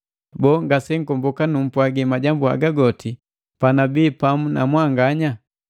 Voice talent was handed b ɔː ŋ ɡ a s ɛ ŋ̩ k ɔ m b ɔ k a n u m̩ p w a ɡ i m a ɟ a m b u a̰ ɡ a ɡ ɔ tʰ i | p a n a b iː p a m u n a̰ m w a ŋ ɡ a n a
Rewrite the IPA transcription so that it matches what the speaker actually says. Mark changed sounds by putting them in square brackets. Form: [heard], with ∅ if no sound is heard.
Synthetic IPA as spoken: b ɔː ŋ ɡ a s ɛ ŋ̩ k ɔ m b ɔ k a n u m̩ p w a ɡ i m a ɟ a m b u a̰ ɡ a ɡ ɔ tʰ i | p a n a b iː p a m u n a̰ m w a ŋ ɡ a [ɲ] a